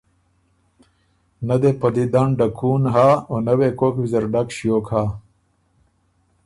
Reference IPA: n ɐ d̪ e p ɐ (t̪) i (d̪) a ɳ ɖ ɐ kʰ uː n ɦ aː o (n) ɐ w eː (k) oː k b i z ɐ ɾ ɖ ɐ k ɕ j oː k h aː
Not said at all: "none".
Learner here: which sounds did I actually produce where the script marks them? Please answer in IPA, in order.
d̪, d̪, n, k

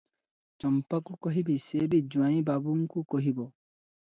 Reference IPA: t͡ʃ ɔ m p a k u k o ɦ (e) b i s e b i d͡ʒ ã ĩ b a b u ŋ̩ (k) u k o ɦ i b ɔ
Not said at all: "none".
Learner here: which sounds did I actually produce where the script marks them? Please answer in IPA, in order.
i, k

